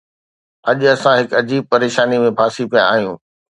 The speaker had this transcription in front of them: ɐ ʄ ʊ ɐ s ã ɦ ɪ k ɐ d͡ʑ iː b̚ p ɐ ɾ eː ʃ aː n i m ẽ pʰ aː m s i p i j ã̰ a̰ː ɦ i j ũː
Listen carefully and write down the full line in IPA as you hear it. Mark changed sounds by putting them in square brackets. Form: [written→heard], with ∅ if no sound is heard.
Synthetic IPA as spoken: ɐ ʄ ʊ ɐ s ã ɦ ɪ k ɐ d͡ʑ iː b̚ p ɐ ɾ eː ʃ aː n i m ẽ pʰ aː [m→∅] s i p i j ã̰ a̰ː ɦ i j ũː